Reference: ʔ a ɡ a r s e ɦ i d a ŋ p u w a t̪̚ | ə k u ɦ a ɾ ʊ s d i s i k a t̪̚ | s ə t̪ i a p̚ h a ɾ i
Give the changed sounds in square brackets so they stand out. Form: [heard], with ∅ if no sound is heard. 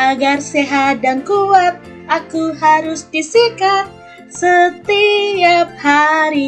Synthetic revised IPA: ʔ a ɡ a r s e ɦ [a] d a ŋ [k] u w a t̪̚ | [a] k u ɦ a ɾ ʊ s d i s i k a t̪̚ | s ə t̪ i a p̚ h a ɾ i